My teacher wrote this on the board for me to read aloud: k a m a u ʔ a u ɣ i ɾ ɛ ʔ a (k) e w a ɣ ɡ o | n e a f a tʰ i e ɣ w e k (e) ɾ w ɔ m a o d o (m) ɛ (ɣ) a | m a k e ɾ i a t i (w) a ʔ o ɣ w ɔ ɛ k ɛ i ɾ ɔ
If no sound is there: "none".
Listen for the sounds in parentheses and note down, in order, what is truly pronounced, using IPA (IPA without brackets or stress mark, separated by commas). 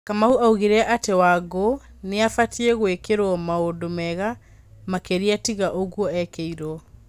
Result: t, e, m, ɣ, ɣ